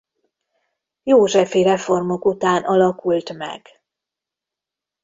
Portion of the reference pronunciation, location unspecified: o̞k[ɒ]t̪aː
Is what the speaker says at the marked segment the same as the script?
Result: no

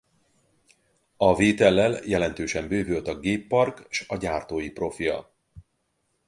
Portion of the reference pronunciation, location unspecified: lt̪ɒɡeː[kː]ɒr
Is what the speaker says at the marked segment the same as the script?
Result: no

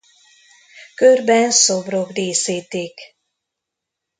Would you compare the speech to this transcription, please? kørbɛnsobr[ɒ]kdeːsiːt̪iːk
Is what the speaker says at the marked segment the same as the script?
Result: no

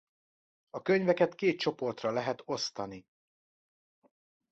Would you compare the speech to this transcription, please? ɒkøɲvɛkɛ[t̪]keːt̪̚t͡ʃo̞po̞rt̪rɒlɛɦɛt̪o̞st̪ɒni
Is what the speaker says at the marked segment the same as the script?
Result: yes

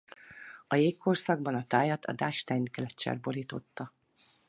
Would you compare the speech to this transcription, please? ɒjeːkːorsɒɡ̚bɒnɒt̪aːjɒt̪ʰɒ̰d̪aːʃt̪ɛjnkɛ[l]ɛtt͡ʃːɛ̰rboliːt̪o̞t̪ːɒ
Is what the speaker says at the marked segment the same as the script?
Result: yes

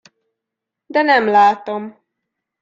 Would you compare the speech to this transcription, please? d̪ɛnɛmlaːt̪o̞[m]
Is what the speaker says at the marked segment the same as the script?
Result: yes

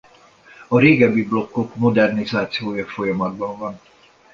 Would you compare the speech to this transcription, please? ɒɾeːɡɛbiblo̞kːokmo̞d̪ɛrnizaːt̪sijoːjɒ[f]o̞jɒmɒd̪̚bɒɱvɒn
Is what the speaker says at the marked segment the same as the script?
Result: yes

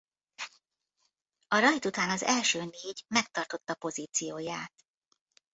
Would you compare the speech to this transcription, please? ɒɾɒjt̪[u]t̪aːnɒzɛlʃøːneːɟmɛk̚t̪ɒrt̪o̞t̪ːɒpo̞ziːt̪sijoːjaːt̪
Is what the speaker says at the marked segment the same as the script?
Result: yes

